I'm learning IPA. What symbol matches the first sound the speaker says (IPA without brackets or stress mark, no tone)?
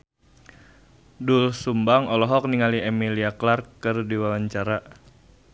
d